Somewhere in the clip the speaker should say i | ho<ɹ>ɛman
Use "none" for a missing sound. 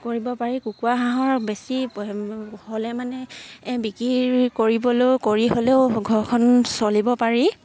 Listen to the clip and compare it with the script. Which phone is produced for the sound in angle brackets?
l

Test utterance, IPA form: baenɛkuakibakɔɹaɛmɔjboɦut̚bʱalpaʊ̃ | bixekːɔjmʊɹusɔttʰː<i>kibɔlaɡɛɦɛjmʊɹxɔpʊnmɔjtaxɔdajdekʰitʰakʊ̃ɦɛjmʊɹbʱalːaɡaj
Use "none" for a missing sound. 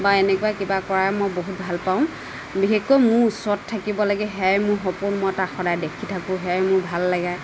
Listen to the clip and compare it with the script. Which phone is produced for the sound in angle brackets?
a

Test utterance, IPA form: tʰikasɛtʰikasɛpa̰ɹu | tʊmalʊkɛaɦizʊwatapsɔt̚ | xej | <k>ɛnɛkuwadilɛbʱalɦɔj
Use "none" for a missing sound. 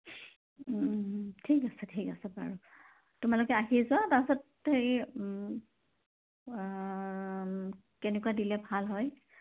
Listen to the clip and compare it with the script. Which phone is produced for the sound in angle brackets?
k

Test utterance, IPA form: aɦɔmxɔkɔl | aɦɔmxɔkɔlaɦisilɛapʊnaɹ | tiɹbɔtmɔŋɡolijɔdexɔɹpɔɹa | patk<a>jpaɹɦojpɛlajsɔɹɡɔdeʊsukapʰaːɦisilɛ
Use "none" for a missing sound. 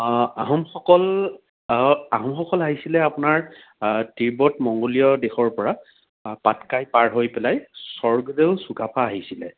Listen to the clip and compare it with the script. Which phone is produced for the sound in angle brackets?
a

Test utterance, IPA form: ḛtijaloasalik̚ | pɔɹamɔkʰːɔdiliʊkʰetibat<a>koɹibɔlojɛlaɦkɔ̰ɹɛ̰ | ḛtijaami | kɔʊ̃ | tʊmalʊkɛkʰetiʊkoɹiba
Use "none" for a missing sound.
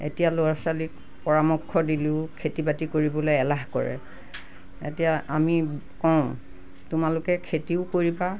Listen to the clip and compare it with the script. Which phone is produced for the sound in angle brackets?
i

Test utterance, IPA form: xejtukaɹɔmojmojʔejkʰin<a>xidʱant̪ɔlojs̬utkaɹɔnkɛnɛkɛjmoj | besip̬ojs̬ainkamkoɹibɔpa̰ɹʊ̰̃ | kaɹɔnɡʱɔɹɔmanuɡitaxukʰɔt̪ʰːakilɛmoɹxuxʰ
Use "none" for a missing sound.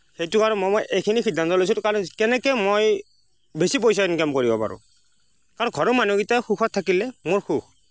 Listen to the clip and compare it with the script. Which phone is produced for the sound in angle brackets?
i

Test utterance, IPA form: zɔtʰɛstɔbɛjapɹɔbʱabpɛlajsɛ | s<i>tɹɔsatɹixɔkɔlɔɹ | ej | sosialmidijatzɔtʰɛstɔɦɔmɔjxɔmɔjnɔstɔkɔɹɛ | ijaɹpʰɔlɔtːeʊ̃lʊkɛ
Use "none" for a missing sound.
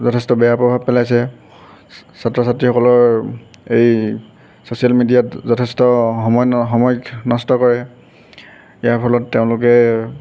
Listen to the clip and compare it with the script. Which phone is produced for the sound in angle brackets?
a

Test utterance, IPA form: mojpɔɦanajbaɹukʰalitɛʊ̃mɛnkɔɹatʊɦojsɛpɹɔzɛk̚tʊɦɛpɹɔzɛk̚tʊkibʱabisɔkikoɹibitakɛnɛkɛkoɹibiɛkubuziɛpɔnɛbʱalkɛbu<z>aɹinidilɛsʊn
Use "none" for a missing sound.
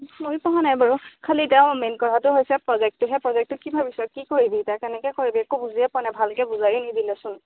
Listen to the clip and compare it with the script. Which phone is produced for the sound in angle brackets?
z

